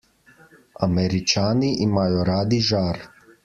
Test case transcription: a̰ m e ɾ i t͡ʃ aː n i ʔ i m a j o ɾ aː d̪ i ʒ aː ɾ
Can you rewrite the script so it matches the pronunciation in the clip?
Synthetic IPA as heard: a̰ m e ɾ i t͡ʃ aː n i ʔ i m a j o ɾ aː d̪ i ʒ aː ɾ